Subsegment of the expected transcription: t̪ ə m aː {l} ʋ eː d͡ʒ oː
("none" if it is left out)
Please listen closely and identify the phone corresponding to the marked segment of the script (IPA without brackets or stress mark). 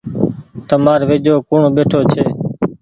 ɾ